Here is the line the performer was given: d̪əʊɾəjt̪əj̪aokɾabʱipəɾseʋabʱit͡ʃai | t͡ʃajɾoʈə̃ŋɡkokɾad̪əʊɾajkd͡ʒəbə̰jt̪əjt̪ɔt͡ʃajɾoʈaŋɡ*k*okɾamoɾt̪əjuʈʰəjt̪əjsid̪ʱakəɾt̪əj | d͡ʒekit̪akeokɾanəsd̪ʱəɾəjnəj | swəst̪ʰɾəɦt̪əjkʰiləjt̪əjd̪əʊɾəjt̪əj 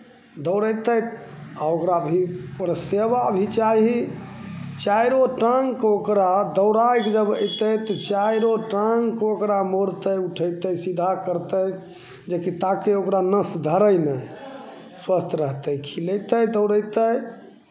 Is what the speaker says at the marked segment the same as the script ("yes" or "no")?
yes